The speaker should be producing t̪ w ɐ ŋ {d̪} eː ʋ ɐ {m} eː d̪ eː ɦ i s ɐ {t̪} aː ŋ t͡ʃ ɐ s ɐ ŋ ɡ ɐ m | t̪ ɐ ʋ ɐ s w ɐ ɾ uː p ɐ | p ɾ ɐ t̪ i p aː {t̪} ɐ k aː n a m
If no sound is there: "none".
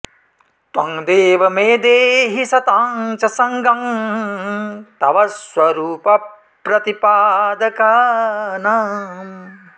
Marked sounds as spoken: d̪, m, t̪, d̪

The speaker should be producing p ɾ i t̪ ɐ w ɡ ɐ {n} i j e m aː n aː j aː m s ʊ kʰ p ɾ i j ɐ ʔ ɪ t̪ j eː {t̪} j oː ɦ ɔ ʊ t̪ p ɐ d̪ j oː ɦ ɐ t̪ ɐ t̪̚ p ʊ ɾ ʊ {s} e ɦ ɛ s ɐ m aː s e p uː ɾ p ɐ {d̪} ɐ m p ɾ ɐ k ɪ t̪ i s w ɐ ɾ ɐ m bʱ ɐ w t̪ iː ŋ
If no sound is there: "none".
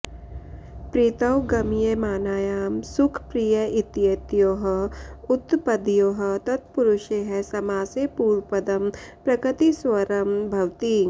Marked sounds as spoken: m, t̪, ʃ, d̪

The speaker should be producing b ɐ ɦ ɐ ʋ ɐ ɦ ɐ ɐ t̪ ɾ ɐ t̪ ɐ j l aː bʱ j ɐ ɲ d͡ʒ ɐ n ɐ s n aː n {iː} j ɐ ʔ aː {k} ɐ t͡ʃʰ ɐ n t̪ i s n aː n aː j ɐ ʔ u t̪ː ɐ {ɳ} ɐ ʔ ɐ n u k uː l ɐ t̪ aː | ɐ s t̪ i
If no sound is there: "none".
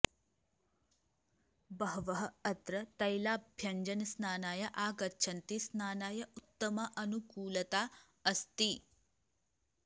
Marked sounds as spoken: aː, ɡ, m

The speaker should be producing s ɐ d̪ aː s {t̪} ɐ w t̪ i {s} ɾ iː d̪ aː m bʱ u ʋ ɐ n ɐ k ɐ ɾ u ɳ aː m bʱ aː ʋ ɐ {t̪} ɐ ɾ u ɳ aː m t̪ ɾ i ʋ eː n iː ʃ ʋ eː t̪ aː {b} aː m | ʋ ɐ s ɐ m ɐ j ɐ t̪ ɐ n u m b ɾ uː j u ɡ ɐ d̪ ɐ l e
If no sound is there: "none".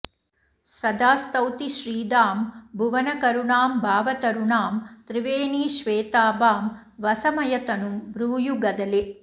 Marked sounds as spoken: t̪, ʃ, t̪, b

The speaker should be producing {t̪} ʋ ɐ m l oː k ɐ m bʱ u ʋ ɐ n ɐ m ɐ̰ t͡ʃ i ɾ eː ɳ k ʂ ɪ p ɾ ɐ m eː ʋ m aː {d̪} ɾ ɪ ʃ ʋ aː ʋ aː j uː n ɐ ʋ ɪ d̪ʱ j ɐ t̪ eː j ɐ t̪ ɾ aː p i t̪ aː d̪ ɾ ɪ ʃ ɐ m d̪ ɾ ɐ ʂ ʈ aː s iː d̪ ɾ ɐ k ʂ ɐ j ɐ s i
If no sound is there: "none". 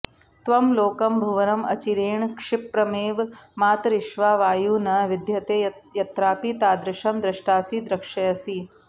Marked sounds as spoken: t̪, t̪

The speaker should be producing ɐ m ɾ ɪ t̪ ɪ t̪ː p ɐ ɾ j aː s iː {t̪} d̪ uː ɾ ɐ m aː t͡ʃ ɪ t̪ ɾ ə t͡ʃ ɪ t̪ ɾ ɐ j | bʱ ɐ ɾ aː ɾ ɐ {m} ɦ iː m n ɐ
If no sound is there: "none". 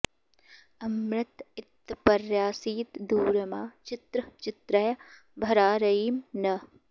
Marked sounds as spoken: t̪, none

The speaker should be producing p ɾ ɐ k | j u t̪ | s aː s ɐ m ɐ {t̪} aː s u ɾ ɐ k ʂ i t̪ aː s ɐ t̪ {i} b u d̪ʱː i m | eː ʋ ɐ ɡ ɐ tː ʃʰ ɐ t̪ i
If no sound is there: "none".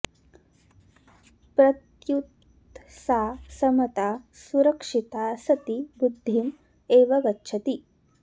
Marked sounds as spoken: t̪, i

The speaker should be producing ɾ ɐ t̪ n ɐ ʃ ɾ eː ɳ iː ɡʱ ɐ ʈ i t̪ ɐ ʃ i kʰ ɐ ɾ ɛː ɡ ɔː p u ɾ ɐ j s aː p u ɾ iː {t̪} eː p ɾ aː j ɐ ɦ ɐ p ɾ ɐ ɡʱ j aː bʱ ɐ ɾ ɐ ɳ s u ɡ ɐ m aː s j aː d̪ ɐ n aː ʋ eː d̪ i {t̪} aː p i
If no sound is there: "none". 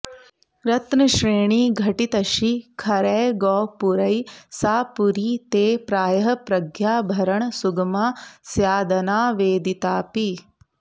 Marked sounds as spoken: t̪, t̪

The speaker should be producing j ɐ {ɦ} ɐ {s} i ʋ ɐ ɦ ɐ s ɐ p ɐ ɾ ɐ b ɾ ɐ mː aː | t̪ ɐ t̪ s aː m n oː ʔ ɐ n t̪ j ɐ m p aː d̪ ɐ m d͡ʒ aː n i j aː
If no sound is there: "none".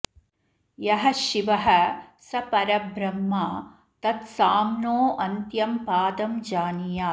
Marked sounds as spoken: ɦ, ʃ

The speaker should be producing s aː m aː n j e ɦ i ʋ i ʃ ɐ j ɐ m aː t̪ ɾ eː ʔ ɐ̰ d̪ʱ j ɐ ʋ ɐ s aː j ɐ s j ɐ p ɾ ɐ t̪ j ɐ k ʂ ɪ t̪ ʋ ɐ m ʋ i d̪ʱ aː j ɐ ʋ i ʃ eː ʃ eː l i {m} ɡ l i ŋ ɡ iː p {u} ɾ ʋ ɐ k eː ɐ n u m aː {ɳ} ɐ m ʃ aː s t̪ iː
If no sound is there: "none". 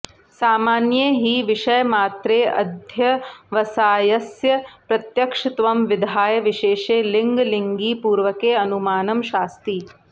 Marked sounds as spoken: ŋ, uː, n

